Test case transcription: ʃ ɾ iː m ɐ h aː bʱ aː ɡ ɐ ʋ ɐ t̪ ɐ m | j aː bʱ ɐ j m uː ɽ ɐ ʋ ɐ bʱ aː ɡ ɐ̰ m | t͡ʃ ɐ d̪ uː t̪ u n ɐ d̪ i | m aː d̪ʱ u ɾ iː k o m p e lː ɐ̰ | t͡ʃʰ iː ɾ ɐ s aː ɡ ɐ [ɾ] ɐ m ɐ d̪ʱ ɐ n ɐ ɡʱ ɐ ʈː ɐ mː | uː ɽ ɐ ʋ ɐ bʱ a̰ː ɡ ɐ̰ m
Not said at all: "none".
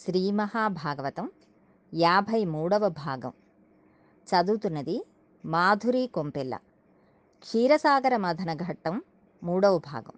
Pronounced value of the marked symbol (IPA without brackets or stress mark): ɾ